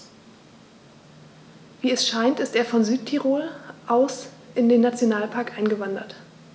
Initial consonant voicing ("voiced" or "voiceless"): voiced